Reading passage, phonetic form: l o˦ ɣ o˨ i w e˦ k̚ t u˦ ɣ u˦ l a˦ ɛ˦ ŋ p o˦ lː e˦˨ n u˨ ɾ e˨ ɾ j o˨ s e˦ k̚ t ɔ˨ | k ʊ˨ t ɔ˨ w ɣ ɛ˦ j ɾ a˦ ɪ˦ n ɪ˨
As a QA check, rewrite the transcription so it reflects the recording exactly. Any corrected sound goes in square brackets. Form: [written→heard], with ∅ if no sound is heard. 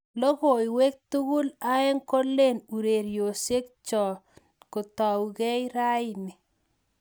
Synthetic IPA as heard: l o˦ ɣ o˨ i w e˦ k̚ t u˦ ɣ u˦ l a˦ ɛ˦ ŋ [p→k] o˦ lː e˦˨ n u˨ ɾ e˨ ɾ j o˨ s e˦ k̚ [t→t͡ʃ] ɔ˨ | k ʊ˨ t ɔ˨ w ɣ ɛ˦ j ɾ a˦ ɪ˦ n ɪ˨